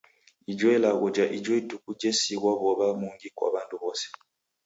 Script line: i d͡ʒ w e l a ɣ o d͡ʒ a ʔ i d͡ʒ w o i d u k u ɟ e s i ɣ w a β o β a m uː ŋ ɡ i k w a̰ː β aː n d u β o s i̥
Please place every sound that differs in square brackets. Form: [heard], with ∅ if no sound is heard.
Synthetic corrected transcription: i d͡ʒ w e l a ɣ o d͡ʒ a ʔ i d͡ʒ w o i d u k u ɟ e s i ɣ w a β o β a m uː ŋ ɡ i k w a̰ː β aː n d u β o s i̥